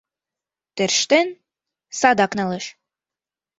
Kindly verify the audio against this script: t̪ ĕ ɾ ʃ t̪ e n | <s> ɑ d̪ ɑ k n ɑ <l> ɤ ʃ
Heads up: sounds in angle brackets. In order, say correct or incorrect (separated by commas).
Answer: correct, correct